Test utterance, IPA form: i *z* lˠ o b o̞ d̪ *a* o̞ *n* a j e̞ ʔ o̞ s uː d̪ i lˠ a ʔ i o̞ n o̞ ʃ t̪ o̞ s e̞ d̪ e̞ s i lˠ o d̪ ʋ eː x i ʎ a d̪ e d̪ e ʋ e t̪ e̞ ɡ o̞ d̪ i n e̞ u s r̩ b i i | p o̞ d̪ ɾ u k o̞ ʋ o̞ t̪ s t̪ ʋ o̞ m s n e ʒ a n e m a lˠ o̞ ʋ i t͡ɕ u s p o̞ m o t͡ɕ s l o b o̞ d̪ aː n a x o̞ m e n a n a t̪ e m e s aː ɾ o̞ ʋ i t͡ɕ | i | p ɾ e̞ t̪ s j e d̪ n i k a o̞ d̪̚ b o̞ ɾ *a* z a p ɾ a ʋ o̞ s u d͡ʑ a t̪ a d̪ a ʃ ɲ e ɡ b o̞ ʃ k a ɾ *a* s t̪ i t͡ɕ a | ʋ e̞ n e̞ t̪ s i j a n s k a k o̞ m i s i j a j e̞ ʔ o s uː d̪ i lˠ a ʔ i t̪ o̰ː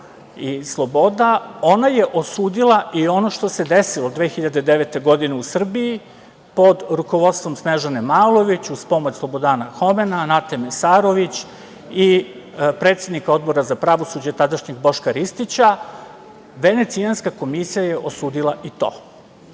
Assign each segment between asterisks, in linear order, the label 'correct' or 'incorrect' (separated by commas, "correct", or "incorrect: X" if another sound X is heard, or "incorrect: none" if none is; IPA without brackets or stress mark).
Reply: incorrect: s, correct, correct, correct, incorrect: i